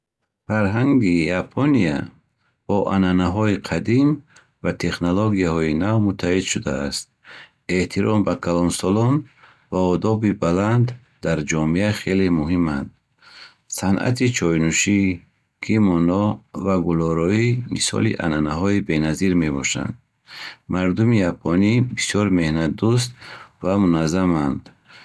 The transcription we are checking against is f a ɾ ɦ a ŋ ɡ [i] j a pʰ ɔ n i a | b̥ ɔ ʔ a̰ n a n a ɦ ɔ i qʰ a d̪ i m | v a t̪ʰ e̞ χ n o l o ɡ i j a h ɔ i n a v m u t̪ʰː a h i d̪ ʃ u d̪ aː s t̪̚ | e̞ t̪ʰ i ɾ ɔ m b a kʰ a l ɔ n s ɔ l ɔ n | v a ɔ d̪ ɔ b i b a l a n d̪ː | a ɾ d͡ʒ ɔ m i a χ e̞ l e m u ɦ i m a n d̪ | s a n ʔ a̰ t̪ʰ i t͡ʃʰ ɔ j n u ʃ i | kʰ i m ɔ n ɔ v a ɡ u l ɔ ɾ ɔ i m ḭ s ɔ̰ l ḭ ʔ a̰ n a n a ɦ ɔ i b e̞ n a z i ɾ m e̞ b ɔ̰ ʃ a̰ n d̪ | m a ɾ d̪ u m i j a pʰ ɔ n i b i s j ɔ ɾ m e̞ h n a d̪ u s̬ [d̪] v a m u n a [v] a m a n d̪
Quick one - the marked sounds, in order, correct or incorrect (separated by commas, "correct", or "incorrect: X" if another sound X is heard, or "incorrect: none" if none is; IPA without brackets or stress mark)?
correct, incorrect: t̪, incorrect: z